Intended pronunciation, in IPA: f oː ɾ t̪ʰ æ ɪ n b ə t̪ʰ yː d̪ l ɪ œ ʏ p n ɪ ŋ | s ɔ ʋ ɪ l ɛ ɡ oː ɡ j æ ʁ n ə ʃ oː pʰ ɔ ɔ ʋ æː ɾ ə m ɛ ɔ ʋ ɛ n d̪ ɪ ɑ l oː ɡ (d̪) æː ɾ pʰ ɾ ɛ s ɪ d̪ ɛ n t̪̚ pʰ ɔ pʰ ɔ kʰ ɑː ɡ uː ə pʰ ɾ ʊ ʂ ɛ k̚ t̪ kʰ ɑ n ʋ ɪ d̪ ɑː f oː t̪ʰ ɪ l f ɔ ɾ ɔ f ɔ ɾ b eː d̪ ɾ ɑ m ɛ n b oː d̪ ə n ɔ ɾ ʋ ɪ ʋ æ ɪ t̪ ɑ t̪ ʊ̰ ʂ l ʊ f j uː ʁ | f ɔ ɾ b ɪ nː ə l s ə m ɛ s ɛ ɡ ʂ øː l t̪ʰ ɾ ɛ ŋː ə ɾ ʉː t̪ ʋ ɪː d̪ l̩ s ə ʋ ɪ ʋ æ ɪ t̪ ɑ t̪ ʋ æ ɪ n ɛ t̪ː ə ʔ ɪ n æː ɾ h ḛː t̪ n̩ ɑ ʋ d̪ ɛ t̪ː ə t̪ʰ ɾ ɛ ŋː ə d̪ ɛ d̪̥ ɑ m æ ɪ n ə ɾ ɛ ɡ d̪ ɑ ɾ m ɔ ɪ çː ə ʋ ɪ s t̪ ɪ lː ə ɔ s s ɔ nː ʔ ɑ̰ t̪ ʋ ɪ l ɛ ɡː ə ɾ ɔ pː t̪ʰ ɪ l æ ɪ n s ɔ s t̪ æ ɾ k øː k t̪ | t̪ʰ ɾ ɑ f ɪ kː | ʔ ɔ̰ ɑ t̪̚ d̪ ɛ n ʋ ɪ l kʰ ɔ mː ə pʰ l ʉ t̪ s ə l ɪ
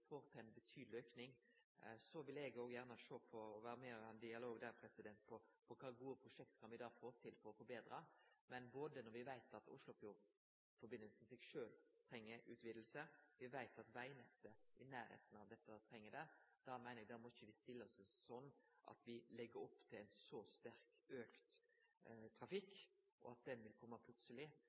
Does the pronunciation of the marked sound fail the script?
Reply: no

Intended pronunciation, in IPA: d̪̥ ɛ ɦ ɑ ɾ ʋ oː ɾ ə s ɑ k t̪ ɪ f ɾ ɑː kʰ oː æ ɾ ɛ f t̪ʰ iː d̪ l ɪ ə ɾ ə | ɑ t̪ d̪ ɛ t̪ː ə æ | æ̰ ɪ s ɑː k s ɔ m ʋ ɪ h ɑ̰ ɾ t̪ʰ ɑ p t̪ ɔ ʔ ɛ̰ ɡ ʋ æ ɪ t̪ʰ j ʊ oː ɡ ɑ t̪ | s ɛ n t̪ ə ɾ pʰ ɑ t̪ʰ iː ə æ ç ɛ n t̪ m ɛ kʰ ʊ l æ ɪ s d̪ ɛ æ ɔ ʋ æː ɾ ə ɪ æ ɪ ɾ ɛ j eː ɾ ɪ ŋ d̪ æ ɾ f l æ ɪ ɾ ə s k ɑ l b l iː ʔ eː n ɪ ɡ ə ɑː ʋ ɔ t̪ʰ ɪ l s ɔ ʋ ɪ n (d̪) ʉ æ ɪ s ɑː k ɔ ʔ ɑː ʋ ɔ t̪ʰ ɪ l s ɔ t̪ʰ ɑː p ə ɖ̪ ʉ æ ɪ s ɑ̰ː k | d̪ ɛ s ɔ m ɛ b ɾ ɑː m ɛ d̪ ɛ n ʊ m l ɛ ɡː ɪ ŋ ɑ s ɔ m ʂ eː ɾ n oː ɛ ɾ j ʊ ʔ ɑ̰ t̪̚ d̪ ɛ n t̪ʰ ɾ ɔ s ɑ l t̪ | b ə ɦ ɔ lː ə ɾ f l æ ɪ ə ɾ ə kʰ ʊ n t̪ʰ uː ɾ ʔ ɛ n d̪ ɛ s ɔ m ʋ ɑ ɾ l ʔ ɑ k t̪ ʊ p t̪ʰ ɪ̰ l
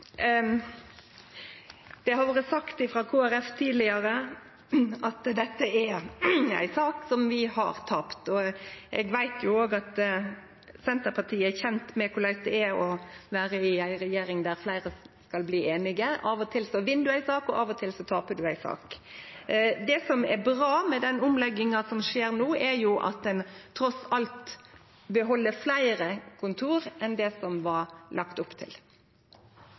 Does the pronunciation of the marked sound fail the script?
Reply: no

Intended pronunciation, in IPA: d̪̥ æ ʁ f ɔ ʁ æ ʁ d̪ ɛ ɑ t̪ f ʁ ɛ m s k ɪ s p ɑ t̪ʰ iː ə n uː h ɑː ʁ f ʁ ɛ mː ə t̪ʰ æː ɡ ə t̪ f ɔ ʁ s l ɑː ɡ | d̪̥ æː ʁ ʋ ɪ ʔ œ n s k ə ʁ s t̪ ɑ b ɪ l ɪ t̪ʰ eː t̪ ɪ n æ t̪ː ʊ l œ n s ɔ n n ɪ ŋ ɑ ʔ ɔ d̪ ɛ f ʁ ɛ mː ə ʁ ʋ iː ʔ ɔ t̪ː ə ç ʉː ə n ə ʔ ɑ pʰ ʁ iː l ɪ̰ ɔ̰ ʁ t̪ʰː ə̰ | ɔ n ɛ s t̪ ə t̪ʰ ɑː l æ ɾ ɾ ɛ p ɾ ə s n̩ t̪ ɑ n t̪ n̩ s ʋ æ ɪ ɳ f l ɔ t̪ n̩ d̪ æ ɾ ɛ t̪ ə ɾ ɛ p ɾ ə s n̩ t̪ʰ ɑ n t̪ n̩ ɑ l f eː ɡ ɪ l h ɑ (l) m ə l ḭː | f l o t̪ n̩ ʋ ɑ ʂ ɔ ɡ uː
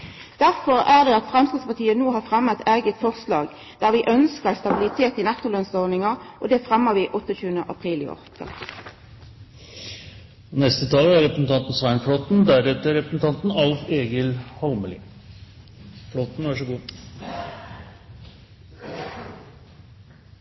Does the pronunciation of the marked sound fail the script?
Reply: no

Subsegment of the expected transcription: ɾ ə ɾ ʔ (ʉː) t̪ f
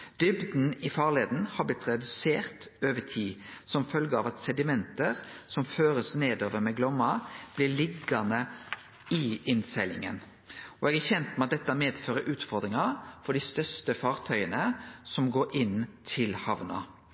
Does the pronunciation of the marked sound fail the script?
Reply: no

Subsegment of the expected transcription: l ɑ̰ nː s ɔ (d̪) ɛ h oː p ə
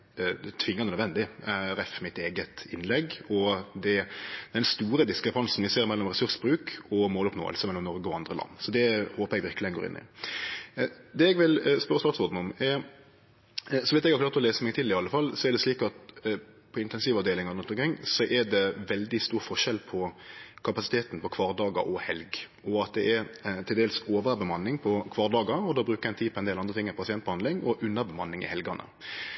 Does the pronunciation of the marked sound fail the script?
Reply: no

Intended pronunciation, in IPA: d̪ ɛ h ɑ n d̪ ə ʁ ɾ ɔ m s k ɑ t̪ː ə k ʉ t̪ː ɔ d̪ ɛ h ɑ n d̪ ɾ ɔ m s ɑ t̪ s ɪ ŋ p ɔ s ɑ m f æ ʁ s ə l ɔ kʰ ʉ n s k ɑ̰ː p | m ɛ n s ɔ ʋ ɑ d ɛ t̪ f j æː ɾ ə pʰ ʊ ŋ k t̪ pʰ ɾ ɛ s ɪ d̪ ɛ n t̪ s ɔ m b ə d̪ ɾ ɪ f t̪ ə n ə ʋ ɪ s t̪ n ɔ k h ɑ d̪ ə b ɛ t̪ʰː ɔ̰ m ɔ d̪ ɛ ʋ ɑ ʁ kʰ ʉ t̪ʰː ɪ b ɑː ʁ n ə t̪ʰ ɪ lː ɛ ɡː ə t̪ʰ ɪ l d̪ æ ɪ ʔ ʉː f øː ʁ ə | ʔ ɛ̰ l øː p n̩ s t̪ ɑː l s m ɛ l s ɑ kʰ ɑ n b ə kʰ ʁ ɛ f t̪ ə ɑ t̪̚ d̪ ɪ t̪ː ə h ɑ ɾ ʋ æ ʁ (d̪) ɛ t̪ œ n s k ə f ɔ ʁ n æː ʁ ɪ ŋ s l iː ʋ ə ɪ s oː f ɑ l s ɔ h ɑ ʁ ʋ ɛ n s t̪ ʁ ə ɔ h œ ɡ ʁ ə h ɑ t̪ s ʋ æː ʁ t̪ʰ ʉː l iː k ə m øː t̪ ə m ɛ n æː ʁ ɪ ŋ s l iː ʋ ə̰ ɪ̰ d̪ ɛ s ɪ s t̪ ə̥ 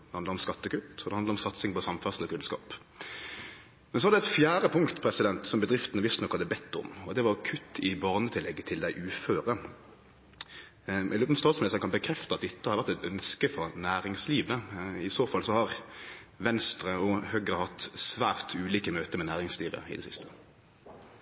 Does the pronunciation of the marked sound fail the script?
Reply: yes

